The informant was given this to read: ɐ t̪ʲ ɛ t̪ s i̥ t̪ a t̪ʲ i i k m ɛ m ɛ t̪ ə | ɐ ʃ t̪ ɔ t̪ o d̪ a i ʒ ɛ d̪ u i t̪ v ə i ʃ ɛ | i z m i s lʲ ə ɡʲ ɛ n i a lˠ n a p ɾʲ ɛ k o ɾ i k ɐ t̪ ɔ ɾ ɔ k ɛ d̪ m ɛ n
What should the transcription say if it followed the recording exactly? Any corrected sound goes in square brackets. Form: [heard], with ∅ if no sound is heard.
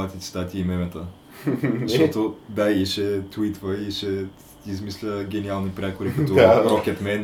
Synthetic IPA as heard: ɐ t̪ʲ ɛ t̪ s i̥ t̪ a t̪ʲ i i [∅] m ɛ m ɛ t̪ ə | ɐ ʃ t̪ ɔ t̪ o d̪ a i [ʃ] ɛ [t̪] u i t̪ v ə i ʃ ɛ | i z m i s lʲ ə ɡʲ ɛ n i a lˠ n [i] p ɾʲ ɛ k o ɾ i k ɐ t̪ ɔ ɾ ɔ k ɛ [t̪] m ɛ n